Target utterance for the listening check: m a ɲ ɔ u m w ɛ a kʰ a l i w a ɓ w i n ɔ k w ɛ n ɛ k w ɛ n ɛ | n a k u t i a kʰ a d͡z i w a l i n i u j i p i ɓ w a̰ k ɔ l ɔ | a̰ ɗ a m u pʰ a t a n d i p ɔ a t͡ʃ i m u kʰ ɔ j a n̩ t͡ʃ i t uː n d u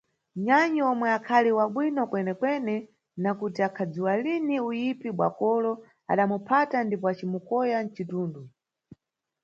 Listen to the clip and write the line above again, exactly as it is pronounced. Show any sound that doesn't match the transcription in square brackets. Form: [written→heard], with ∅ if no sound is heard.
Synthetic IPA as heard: [m→ɲ] a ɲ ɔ [u→ɔ] m w ɛ a kʰ a l i w a ɓ w i n ɔ k w ɛ n ɛ k w ɛ n ɛ | n a k u t i a kʰ a d͡z i w a l i n i u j i p i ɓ w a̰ k ɔ l ɔ | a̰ ɗ a m u pʰ a t a n d i p ɔ a t͡ʃ i m u [kʰ→k] ɔ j a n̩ t͡ʃ i t uː n d u